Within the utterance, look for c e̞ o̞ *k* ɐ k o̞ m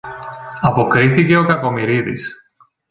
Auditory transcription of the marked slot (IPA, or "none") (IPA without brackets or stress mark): k